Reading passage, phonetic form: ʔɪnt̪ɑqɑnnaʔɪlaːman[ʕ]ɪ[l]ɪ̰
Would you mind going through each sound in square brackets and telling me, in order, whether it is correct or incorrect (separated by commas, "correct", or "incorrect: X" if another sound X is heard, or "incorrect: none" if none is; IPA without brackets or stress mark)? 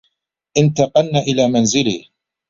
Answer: incorrect: z, correct